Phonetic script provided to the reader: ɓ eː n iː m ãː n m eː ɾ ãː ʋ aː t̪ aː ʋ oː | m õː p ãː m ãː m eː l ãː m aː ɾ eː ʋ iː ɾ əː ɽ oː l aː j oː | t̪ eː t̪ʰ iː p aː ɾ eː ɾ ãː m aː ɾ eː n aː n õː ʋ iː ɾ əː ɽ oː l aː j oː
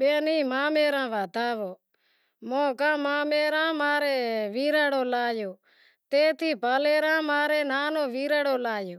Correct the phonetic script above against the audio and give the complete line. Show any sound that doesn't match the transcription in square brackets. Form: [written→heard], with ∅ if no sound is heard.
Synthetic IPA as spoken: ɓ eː n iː m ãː [n→∅] m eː ɾ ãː ʋ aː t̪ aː ʋ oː | m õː [p→k] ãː m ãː m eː [l→ɾ] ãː m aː ɾ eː ʋ iː ɾ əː ɽ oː l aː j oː | t̪ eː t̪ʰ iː p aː [ɾ→l] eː ɾ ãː m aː ɾ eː n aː n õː ʋ iː ɾ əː ɽ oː l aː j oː